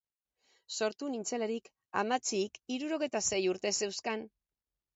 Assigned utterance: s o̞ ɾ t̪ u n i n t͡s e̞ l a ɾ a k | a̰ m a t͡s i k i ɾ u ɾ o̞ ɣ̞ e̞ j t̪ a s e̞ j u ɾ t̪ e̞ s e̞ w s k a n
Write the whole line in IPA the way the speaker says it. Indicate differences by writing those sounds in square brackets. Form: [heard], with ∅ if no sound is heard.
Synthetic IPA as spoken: s o̞ ɾ t̪ u n i n t͡s e̞ l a ɾ [i] k | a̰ m a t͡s i k i ɾ u ɾ o̞ ɣ̞ e̞ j t̪ a s e̞ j u ɾ t̪ e̞ s e̞ w s k a n